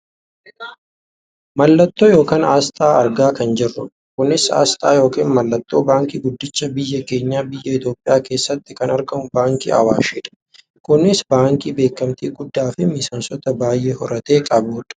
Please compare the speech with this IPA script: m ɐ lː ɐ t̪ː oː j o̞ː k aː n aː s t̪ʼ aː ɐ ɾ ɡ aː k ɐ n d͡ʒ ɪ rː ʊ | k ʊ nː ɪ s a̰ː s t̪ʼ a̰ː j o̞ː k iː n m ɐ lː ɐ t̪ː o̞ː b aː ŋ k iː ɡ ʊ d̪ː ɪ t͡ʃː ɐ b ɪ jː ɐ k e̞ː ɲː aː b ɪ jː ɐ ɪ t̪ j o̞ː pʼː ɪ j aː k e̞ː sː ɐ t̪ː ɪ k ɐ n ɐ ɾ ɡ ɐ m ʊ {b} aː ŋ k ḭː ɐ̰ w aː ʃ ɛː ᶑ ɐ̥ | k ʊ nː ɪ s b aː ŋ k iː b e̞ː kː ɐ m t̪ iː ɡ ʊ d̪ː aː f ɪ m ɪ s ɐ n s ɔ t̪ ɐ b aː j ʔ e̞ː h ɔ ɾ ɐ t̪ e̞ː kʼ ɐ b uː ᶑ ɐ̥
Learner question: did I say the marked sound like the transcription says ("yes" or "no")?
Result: yes